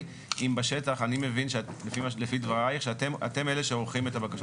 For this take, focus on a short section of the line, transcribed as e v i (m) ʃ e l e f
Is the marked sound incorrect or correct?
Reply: incorrect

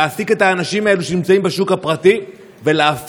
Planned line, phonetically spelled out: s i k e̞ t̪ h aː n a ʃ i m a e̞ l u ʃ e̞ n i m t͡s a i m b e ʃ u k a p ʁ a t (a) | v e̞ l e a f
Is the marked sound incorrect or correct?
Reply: incorrect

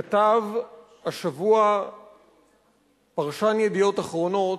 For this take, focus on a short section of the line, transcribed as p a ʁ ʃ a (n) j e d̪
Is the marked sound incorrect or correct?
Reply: correct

